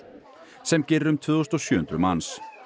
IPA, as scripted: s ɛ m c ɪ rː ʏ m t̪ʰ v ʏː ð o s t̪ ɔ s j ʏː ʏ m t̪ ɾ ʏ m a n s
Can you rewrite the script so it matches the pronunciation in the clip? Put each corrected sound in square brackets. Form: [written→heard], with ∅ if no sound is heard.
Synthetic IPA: s ɛ m c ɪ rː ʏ m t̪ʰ v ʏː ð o s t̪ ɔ s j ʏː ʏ [m→n] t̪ ɾ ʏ m a n s